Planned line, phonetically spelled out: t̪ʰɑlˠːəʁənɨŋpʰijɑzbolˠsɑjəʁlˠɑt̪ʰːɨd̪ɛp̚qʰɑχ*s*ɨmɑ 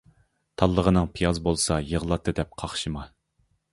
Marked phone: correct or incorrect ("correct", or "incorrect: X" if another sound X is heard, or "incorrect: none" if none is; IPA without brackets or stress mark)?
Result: incorrect: ʃ